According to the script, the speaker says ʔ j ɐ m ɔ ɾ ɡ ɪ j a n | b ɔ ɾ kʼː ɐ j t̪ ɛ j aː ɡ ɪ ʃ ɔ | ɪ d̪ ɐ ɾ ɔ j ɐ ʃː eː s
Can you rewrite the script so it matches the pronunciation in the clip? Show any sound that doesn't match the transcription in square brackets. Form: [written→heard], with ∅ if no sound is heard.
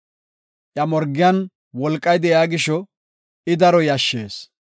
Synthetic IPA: ʔ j ɐ m ɔ ɾ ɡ ɪ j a n | [b→w] ɔ [ɾ→l] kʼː ɐ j [t̪→d̪] ɛ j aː ɡ ɪ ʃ ɔ | ɪ d̪ ɐ ɾ ɔ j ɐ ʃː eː s